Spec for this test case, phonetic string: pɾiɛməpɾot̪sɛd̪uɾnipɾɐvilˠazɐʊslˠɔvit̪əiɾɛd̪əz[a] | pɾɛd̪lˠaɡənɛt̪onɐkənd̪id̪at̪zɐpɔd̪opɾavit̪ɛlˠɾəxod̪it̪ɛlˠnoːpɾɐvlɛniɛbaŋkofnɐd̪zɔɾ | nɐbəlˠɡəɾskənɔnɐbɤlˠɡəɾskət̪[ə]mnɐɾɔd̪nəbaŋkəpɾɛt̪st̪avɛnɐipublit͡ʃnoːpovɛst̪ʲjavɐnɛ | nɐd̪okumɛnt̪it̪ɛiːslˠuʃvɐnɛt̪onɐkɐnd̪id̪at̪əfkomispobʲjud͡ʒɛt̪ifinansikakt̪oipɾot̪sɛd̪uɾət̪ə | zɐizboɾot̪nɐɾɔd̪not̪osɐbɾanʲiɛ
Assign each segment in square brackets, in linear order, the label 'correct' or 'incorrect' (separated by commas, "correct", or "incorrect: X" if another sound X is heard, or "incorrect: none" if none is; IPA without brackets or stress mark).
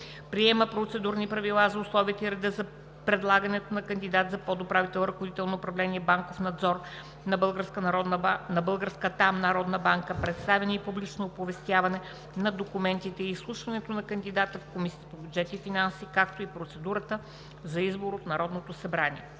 incorrect: ɐ, incorrect: a